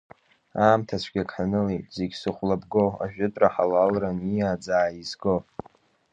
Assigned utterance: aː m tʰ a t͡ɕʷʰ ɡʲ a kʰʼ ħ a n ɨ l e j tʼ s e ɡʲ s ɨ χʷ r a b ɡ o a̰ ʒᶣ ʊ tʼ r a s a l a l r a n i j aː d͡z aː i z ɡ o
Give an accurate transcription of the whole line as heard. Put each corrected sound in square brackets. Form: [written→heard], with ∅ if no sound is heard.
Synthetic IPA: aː m tʰ a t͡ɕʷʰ ɡʲ a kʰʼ ħ a n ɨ l e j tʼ [s→z] e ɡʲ s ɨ χʷ [r→l] a b ɡ o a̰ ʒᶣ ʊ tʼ r a [s→ħ] a l a l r a n i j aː d͡z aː i z ɡ o